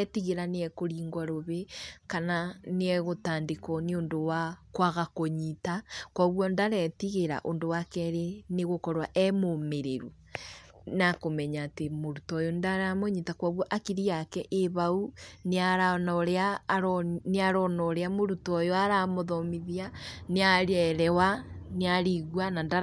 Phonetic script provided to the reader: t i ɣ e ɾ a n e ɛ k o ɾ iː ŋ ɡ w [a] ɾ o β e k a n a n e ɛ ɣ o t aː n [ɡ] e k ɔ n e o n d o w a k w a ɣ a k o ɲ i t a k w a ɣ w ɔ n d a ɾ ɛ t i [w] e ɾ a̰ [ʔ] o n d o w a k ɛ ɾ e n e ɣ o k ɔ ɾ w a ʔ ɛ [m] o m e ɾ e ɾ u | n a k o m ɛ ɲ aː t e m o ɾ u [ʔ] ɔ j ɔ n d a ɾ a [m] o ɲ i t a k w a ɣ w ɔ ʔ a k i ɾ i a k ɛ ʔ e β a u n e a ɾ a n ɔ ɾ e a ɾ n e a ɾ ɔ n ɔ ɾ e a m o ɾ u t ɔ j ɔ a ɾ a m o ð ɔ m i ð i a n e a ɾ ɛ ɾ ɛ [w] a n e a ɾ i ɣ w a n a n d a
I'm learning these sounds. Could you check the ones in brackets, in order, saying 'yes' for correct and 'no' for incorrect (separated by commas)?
yes, no, no, yes, yes, no, yes, yes